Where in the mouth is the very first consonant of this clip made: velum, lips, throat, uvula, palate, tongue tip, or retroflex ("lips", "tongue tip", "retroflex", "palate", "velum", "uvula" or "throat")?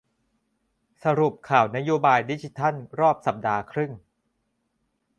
tongue tip